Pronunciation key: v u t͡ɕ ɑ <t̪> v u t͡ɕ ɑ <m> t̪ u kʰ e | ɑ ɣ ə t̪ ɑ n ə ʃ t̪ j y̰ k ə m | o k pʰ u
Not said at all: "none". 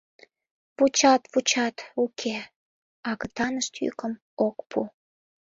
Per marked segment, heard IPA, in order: t̪, none

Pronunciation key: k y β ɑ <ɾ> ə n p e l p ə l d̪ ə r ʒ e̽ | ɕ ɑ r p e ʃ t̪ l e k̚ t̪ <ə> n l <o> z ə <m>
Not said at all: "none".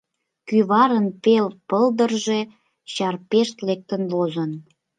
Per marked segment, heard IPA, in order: ɾ, ə, o, n

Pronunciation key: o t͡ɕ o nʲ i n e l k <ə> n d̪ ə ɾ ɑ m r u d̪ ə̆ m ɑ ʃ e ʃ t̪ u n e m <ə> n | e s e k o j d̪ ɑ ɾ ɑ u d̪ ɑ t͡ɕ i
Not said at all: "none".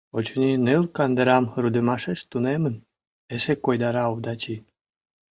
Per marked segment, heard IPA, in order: ɑ, ə

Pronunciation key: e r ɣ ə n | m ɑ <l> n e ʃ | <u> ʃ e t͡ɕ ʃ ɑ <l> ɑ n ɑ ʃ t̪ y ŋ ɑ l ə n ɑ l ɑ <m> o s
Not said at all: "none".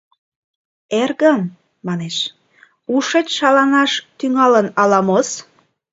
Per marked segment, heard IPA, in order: none, u, l, m

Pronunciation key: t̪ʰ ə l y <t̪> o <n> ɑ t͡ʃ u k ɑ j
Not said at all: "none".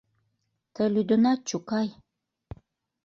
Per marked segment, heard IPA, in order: d̪, n

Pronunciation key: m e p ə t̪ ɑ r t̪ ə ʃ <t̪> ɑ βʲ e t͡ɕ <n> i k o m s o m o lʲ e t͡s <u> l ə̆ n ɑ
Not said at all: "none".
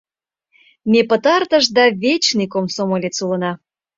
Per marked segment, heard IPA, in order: d̪, n, u

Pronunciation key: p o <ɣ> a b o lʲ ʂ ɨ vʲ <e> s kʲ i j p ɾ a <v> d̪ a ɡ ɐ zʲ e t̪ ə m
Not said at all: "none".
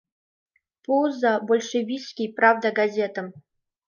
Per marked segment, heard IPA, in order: z, i, v

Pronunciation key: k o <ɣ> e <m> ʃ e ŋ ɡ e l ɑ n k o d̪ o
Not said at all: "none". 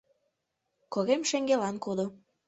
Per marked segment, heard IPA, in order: ɣ, m

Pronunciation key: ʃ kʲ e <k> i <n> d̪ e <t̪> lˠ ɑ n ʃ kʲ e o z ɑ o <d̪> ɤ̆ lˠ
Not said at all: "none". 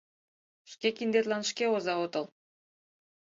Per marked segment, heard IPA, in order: k, n, t̪, t̪

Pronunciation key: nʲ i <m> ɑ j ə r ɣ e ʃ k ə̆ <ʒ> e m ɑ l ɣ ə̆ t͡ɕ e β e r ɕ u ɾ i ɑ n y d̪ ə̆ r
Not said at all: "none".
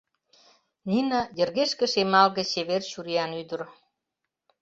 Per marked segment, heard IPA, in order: n, ʃ

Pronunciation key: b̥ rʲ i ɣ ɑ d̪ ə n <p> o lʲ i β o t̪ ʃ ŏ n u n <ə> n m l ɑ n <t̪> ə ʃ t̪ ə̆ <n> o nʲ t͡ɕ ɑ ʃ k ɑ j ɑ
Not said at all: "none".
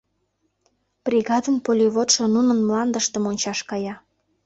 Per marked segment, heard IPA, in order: p, ə, d̪, m

